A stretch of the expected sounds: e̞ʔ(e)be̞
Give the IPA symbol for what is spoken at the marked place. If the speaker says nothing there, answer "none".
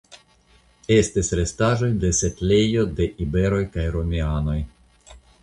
i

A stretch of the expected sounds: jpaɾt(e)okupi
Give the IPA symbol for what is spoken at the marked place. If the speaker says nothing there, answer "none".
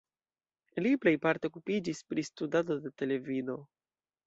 e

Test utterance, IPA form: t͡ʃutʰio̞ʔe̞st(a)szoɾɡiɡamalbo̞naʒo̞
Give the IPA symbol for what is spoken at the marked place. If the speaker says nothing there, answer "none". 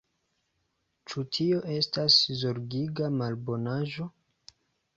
a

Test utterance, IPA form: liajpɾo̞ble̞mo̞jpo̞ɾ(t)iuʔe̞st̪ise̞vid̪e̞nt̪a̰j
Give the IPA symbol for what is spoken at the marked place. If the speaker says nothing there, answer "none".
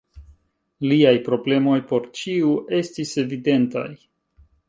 t͡ʃ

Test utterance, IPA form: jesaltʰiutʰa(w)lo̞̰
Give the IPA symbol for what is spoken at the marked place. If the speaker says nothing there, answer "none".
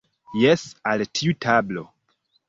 b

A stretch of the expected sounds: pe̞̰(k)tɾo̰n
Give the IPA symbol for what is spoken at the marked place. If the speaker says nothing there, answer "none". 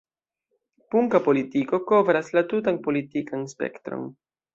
k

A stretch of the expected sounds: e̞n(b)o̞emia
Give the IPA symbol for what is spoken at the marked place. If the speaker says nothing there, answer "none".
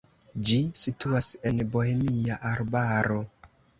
b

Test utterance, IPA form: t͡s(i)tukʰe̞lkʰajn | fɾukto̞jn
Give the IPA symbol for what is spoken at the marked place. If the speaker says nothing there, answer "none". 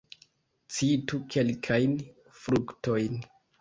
i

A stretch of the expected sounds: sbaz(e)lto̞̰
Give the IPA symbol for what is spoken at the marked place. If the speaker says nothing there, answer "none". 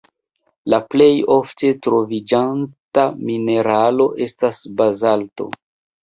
a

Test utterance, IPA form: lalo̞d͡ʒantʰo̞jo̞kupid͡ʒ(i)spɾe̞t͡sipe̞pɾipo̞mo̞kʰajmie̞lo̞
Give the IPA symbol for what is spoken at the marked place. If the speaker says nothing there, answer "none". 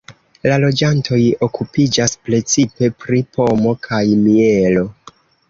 a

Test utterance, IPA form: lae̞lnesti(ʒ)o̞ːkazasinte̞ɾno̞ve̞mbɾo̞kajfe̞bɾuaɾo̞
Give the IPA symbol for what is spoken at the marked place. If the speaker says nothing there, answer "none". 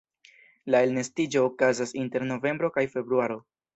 d͡ʒ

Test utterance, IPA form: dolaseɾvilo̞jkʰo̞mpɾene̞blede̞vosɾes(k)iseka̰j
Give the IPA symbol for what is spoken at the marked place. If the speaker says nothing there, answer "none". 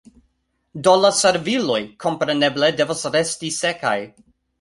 t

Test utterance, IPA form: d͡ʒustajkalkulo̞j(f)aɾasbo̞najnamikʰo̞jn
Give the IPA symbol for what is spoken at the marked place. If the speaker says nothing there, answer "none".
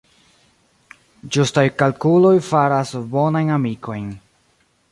f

